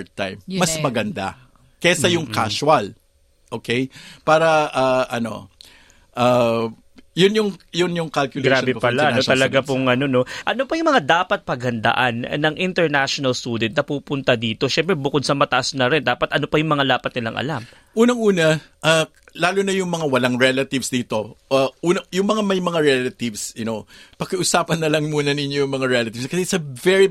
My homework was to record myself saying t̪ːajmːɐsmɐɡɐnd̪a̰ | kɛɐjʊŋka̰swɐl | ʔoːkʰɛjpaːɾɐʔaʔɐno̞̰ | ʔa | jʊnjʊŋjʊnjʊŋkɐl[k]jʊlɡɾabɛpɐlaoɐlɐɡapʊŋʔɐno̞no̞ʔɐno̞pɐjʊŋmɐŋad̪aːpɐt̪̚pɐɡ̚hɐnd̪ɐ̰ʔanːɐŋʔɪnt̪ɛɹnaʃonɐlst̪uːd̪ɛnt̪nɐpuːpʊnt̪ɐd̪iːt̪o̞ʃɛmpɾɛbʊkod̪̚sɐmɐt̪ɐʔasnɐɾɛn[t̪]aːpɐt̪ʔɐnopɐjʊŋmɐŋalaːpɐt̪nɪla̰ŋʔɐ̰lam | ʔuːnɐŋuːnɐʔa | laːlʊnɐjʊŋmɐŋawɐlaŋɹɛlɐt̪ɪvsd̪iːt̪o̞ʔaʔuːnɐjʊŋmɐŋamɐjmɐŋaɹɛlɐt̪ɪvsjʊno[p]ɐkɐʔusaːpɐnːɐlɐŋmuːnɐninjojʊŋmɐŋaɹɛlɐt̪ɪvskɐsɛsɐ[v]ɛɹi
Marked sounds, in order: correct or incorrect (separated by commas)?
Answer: correct, incorrect, correct, correct